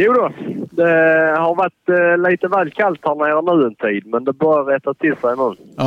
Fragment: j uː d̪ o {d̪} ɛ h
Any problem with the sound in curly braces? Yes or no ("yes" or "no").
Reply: no